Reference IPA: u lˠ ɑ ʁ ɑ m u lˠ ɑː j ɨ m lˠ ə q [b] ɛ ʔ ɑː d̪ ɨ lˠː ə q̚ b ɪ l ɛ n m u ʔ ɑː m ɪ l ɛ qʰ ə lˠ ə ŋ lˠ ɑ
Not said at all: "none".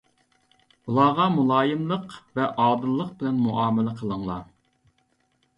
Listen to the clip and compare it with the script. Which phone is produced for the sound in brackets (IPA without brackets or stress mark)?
v